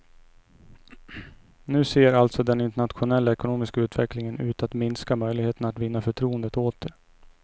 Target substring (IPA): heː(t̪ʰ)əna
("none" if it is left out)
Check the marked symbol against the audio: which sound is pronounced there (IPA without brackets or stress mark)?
t̪